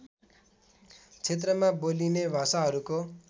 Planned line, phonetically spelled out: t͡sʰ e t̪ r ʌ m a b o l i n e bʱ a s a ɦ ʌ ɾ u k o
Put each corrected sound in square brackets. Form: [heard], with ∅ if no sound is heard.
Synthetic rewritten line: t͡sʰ e t̪ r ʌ m a b o l i n e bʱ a s a ɦ ʌ ɾ u k o